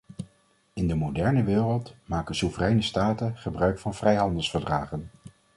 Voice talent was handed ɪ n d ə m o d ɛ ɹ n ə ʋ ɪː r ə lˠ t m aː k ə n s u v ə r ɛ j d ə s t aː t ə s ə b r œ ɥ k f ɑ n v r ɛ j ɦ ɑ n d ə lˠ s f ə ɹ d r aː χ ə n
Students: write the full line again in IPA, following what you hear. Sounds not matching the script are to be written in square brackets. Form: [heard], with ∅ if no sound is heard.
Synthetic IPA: ɪ n d ə m o d ɛ ɹ n ə ʋ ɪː r ə lˠ t m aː k ə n s u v ə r ɛ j [n] ə s t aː t ə [χ] ə b r œ ɥ k f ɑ n v r ɛ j ɦ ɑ n d ə lˠ s f ə ɹ d r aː χ ə n